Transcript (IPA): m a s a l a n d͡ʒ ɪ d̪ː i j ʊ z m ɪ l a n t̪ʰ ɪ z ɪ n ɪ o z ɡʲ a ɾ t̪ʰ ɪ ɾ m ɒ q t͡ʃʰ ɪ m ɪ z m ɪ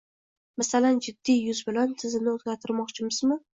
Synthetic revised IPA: m a s a l a n d͡ʒ ɪ d̪ː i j ʊ z b ɪ l a n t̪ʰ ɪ z ɪ n ɪ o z ɡʲ a ɾ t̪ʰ ɪ ɾ m ɒ q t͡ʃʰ ɪ m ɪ z m ɪ